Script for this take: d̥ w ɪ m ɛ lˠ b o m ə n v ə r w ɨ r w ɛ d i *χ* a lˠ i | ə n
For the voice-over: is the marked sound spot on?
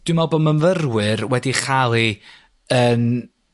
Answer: yes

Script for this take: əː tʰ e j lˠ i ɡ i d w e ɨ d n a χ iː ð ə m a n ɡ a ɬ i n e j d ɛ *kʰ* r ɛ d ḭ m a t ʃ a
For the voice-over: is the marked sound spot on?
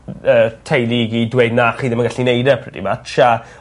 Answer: no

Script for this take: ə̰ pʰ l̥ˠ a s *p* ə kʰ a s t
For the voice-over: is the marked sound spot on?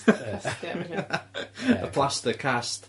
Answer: no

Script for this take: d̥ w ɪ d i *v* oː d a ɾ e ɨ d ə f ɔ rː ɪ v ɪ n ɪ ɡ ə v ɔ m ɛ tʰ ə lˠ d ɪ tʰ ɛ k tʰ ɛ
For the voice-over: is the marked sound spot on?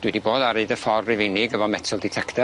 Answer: no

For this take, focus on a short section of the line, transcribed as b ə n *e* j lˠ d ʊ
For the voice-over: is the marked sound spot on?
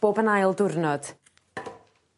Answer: no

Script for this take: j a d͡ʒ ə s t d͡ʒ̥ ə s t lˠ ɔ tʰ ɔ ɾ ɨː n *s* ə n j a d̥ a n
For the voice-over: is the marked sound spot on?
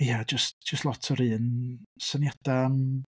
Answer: yes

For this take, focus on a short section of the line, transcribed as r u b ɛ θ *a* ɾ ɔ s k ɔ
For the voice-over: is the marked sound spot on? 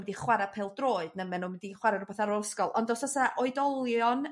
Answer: yes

